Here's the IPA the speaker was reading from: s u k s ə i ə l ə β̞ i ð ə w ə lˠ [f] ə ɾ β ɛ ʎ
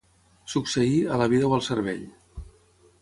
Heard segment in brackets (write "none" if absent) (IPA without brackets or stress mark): s